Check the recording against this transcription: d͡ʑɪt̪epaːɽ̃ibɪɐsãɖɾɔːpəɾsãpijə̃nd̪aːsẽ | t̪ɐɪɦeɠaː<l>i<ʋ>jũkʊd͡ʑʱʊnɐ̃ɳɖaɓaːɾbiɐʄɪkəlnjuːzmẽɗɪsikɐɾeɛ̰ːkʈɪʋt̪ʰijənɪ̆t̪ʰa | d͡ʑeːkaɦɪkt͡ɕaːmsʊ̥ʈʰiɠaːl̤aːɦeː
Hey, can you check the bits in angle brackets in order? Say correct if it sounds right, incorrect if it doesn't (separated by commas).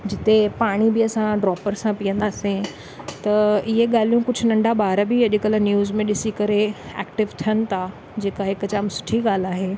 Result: correct, incorrect